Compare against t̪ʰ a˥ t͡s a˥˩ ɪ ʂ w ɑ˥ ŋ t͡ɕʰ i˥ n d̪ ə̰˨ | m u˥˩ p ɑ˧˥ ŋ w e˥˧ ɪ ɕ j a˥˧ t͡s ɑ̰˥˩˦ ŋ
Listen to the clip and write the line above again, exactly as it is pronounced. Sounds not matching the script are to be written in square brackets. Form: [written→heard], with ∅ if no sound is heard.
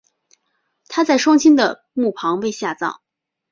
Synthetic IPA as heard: t̪ʰ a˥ t͡s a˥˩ ɪ ʂ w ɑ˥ ŋ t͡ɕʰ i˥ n d̪ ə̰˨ | m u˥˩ [p→pʰ] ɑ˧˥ ŋ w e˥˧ ɪ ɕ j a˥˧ t͡s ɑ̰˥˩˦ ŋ